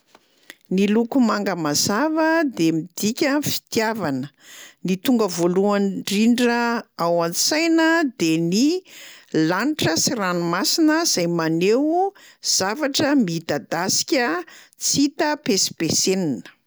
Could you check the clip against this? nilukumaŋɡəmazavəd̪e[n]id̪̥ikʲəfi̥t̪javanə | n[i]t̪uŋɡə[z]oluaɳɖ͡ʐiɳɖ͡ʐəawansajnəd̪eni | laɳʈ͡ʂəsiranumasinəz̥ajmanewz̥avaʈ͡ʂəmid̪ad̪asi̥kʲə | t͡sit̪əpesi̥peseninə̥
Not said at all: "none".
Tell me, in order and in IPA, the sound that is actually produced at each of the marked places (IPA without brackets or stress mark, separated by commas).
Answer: m, i, v